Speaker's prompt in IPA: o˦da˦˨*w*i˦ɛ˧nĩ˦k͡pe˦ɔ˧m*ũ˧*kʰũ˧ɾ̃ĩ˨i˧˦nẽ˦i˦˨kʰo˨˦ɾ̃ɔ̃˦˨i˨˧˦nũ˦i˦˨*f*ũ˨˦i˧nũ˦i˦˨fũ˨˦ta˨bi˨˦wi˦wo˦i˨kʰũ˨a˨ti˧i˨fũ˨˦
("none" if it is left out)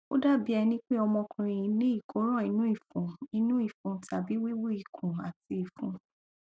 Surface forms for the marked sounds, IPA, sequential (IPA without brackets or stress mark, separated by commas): b, ɔ̃˧, f